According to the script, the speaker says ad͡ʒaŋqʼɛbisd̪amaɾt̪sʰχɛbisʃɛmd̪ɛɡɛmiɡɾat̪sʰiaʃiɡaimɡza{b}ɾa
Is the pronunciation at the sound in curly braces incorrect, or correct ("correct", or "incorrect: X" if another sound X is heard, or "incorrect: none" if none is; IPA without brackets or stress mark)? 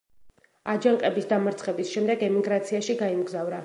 incorrect: v